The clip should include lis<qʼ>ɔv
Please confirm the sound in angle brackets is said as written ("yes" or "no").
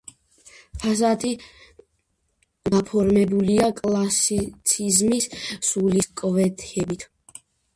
no